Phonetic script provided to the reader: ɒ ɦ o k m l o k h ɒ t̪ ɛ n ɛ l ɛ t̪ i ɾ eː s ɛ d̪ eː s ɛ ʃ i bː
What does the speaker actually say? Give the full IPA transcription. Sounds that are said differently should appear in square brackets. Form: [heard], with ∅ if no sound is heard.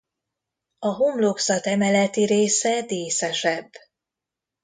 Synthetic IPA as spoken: ɒ ɦ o [∅] m l o k [s] ɒ t̪ ɛ [m] ɛ l ɛ t̪ i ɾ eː s ɛ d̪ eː s ɛ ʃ [ɛ] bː